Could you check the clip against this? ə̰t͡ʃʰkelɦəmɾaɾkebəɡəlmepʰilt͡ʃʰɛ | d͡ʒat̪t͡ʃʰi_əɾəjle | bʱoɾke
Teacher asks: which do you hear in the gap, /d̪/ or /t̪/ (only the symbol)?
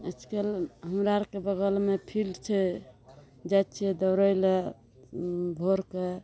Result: d̪